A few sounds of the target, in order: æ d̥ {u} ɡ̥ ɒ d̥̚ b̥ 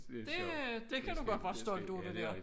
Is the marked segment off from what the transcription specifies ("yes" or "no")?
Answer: no